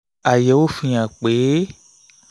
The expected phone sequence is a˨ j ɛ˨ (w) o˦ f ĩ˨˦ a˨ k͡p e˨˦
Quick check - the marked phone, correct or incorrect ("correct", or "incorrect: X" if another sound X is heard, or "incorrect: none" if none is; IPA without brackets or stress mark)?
correct